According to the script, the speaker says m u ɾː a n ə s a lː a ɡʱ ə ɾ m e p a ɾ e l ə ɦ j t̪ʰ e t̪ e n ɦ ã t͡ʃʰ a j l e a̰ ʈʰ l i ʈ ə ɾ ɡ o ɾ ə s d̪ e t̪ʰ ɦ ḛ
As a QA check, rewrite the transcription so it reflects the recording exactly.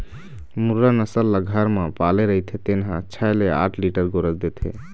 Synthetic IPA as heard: m u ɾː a n ə s ə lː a ɡʱ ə ɾ m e p a l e ɾ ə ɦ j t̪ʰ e t̪ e n ɦ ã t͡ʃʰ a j l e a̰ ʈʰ l i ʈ ə ɾ ɡ o ɾ ə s d̪ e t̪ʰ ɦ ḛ